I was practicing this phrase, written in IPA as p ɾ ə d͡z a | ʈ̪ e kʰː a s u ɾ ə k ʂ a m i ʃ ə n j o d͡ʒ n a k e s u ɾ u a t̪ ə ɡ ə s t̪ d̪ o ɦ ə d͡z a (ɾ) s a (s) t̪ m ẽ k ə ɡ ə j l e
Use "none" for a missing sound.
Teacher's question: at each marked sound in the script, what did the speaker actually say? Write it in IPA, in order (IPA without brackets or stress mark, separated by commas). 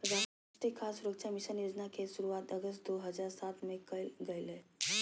ɾ, none